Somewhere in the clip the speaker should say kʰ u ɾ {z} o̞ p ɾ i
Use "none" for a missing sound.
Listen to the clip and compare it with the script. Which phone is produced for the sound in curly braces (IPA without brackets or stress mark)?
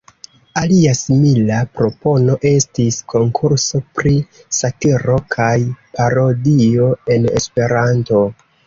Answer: s